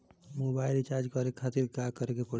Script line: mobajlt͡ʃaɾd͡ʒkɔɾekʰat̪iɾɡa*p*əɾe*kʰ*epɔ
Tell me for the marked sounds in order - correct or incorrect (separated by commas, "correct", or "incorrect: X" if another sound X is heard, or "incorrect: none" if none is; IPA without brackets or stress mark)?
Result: incorrect: k, incorrect: k